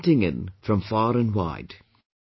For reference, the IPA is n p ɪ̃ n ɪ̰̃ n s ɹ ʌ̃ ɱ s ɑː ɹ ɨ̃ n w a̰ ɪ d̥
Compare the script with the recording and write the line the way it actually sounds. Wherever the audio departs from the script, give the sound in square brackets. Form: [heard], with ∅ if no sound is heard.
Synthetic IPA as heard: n [t] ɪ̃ [ŋ] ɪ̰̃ n [f] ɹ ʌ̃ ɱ [f] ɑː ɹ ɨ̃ n w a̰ ɪ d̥

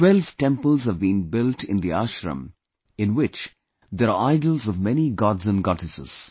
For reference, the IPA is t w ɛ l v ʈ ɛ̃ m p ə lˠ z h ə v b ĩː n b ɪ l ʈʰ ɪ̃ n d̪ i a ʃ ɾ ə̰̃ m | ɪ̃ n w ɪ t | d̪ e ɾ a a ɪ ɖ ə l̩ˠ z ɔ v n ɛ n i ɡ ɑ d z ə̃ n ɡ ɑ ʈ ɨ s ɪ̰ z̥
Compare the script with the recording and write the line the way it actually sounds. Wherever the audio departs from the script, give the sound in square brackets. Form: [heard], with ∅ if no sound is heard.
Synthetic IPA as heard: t w ɛ l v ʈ ɛ̃ m p ə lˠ z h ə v b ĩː n b ɪ l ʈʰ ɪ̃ n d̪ i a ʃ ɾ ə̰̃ m | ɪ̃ n w ɪ [t͡ʃ] | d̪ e ɾ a a ɪ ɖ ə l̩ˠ z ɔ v [m] ɛ n i ɡ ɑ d z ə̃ n ɡ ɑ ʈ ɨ s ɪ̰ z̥

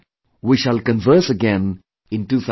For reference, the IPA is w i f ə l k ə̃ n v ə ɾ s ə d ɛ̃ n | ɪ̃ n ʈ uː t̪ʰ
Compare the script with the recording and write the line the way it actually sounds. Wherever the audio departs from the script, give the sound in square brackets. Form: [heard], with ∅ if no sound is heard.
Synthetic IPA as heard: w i [ʃ] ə l k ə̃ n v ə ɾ s ə [ɡ] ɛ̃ n | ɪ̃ n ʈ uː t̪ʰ

